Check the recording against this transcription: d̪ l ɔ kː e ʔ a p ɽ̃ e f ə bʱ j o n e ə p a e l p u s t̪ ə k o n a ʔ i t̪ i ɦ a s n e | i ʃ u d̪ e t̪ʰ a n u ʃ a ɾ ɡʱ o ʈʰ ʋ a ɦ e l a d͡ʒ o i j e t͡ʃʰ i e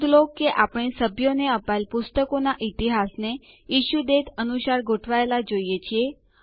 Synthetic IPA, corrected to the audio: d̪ l o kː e ʔ a p ɽ̃ e s ə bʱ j o n e ə p a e l p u s t̪ ə k o n a ʔ i t̪ i ɦ a s n e | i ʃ u d̪ e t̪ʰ ə n u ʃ a ɾ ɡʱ o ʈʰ ʋ a e l a d͡ʒ o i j e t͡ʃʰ i e